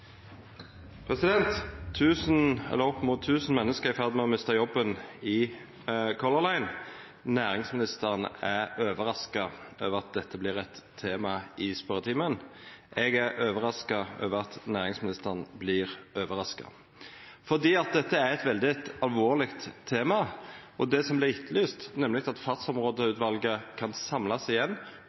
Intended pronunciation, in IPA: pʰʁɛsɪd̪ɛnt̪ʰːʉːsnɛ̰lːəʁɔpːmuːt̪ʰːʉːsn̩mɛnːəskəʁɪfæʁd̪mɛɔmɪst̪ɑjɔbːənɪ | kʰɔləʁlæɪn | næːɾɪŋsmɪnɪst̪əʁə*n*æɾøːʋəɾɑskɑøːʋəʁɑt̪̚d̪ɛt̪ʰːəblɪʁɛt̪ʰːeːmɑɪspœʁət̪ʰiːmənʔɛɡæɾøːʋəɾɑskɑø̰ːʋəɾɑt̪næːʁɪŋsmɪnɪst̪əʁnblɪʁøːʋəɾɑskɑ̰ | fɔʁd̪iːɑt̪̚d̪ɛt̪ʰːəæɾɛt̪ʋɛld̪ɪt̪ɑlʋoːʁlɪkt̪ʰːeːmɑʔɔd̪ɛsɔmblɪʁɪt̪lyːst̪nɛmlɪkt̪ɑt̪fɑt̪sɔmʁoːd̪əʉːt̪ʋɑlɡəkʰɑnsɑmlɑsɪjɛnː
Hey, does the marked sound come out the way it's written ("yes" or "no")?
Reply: yes